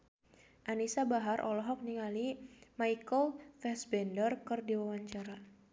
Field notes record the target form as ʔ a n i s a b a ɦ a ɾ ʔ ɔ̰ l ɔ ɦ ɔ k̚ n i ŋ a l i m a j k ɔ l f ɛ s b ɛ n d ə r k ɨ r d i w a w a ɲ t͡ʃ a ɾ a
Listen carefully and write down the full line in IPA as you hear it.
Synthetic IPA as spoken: ʔ a n i s a b a ɦ a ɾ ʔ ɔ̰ l ɔ ɦ ɔ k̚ n i ŋ a l i m a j k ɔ l f ɛ s b ɛ n d ə r k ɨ r d i w a w a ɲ t͡ʃ a ɾ a